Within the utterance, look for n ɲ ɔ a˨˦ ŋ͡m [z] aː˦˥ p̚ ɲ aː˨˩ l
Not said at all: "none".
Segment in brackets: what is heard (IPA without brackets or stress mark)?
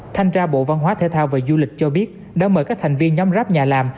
z